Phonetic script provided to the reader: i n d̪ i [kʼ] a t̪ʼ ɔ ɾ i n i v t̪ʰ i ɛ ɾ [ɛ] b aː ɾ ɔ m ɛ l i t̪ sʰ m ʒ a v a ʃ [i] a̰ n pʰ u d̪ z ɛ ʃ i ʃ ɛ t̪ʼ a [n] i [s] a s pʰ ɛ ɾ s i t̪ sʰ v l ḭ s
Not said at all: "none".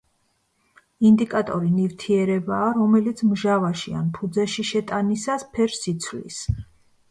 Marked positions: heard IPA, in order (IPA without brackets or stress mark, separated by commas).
kʼ, ɛ, i, n, s